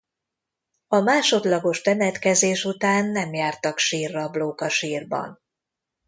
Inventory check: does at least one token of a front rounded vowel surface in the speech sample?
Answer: no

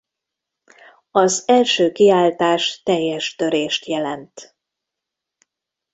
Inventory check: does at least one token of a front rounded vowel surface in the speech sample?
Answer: yes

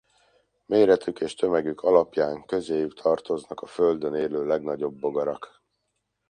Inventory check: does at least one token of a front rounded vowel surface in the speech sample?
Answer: yes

